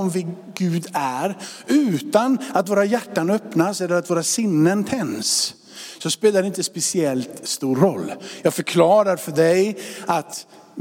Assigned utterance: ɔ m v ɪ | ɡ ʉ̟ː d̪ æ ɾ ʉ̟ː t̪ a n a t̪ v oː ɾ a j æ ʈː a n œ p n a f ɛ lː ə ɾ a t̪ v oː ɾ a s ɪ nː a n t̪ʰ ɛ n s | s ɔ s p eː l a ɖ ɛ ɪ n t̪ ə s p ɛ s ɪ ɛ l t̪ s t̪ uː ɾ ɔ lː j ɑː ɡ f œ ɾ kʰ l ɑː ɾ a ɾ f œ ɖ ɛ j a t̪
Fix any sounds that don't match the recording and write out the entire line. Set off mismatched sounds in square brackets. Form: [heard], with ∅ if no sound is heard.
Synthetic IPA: ɔ m v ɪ | ɡ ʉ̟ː d̪ æ ɾ ʉ̟ː t̪ a n a t̪ v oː ɾ a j æ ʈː a n œ p n a [s] ɛ lː ə ɾ a t̪ v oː ɾ a s ɪ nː [ə] n t̪ʰ ɛ n s | s ɔ s p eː l a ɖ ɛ ɪ n t̪ ə s p ɛ s ɪ ɛ l t̪ s t̪ uː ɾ ɔ lː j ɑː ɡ f œ ɾ kʰ l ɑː ɾ a ɾ f œ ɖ ɛ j a t̪